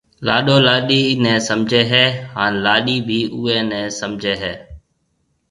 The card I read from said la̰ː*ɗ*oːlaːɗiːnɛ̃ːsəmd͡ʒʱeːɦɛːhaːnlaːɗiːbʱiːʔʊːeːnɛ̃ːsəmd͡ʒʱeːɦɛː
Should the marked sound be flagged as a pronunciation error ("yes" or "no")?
no